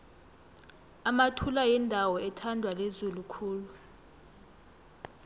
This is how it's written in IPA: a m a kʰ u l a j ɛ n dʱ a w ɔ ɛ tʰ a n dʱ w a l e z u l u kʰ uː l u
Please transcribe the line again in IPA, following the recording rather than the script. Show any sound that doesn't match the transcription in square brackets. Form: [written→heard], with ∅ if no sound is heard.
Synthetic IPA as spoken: a m a [kʰ→tʰ] u l a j ɛ n dʱ a w ɔ ɛ tʰ a n dʱ w a l e z u l u kʰ uː l u